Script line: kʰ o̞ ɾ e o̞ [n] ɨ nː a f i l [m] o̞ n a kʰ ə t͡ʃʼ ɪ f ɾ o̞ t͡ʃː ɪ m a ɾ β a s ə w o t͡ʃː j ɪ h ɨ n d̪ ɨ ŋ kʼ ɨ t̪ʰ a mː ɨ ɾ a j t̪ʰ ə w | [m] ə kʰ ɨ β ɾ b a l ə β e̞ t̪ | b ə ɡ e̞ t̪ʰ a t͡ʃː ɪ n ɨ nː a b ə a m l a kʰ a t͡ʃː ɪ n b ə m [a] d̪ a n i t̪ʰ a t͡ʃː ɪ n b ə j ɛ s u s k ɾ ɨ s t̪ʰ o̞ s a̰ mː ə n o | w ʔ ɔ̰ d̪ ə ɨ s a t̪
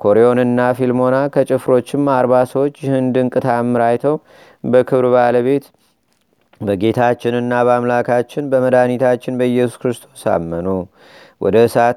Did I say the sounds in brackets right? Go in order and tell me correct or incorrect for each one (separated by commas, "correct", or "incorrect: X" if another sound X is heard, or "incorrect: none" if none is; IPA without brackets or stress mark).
correct, correct, incorrect: b, incorrect: ə